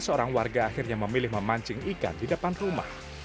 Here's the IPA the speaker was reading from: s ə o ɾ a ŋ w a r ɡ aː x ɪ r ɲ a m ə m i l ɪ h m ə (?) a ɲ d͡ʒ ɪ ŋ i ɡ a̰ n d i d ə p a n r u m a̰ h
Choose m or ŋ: m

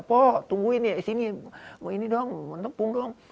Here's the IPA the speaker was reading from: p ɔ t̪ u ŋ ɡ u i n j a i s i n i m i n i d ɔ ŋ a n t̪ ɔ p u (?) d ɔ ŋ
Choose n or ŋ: ŋ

